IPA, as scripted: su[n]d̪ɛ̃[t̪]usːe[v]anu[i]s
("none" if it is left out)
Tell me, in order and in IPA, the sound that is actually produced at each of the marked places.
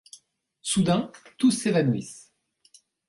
none, t̪, v, i

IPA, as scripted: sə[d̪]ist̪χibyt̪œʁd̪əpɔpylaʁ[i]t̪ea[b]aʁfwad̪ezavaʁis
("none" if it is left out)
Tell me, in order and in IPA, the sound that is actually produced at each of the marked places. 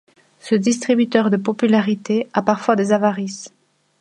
d̪, i, p

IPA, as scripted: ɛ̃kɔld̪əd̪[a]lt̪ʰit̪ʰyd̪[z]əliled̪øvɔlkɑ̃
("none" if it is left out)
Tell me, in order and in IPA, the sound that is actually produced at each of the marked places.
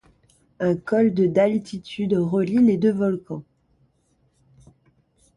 a, ʁ

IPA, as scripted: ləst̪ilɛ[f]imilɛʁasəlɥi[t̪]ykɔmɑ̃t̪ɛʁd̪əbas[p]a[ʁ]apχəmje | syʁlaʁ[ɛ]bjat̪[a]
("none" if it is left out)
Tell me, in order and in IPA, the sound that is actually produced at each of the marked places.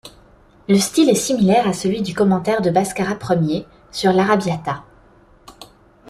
s, d̪, k, ʁ, a, a

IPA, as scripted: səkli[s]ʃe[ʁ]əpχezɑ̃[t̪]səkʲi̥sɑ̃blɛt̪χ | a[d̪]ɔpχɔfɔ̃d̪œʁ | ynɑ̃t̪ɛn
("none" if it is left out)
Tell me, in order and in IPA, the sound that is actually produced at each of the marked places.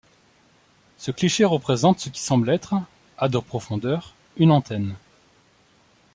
none, ʁ, t̪, d̪

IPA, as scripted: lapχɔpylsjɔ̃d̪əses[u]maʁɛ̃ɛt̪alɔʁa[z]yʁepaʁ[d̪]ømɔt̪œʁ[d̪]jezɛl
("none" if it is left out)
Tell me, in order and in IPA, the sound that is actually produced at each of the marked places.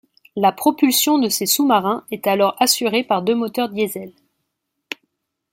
u, s, d̪, d̪

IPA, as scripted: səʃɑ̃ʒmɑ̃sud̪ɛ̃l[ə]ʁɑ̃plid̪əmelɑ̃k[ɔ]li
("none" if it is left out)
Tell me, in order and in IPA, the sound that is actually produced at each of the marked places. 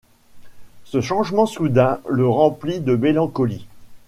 ə, ɔ

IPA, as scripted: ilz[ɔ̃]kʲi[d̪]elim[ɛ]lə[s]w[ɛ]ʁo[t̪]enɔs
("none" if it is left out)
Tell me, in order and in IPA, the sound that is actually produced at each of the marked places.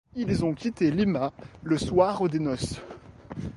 ɔ̃, t̪, a, s, a, d̪

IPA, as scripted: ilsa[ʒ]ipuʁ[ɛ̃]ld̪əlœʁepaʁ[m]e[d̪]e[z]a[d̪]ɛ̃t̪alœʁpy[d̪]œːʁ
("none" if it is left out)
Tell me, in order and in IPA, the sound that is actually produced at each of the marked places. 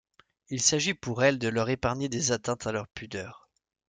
ʒ, ɛ, ɲ, d̪, z, t̪, d̪

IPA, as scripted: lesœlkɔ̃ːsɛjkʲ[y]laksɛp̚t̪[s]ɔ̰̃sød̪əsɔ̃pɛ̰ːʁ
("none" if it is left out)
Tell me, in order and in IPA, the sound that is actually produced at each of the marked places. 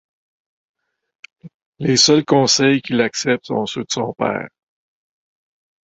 i, s

